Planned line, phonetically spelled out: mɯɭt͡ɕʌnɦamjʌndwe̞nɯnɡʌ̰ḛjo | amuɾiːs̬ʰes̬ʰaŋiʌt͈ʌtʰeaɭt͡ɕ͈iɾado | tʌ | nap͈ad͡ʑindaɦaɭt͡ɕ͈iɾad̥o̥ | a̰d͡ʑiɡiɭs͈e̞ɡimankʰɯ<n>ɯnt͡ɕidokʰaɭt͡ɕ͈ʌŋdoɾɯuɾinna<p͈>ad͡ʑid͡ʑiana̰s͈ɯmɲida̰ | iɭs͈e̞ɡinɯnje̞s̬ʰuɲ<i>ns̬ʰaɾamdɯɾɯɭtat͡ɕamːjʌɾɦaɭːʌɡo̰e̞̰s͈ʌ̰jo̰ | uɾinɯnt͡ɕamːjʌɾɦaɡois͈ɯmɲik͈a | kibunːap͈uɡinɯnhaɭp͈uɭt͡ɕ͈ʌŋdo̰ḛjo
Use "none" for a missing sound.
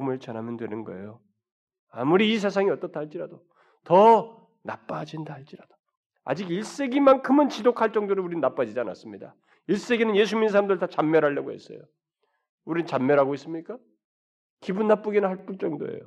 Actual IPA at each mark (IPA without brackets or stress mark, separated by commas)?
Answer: m, p͈, i